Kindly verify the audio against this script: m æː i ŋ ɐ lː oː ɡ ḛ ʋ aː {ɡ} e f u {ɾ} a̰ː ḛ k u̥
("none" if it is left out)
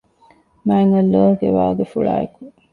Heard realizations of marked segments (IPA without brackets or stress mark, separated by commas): ɡ, ɭ